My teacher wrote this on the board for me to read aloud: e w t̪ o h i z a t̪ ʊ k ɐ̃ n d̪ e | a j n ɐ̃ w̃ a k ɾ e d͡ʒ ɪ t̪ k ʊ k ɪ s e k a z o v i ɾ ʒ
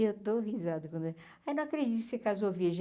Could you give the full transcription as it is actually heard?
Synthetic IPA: e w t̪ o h i z a d̪ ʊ k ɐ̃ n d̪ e | a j n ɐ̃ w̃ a k ɾ e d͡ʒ i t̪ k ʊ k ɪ s e k a z o v i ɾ ʒ